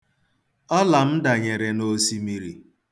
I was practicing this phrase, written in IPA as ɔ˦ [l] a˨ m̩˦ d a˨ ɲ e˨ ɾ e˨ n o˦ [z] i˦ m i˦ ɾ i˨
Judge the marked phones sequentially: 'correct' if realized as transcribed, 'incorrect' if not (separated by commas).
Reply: correct, incorrect